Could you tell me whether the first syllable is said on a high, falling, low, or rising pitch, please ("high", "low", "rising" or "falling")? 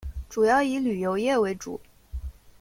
low